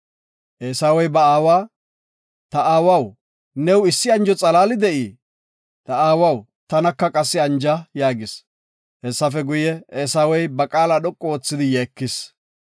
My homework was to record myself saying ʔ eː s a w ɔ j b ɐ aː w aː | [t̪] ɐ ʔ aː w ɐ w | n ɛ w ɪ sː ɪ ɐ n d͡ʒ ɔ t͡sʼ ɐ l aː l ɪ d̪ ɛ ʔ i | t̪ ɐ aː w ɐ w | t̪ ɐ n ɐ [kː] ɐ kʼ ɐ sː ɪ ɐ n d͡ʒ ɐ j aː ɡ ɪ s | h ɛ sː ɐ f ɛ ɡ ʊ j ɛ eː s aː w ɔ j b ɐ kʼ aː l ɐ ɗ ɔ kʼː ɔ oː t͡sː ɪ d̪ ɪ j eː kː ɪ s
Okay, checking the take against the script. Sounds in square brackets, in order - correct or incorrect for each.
correct, correct

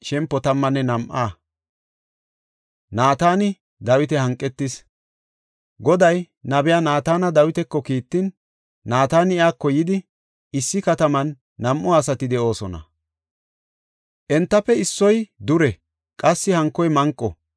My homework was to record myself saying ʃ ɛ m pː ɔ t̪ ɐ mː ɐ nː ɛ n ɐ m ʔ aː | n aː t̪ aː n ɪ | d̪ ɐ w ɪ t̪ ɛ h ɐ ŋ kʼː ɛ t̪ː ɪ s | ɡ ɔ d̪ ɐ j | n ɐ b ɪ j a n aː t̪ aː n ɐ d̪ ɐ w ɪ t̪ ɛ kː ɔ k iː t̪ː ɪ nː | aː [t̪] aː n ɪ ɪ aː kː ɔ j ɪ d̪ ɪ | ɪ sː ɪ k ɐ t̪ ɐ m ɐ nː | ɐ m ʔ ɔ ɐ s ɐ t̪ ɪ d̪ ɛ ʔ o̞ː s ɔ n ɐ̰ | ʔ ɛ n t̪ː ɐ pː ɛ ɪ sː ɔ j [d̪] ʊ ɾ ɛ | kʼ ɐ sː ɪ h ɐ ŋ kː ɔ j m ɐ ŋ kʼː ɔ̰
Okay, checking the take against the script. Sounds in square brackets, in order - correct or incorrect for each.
correct, correct

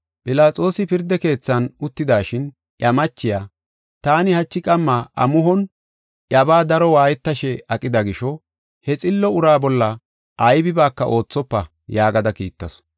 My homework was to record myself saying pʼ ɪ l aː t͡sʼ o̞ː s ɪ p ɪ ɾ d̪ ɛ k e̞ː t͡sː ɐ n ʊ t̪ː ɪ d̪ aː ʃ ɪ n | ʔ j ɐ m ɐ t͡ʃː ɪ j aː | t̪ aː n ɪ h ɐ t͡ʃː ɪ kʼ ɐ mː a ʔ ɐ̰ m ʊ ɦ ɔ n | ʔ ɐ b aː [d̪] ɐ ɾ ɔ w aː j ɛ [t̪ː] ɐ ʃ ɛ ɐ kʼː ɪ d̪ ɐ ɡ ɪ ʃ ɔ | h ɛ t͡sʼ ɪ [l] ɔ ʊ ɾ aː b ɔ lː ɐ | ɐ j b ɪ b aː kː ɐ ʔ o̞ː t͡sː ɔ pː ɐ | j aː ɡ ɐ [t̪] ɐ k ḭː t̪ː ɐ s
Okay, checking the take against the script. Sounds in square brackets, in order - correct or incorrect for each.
correct, correct, incorrect, incorrect

